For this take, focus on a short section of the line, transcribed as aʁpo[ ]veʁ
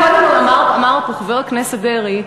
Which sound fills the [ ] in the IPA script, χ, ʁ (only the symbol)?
χ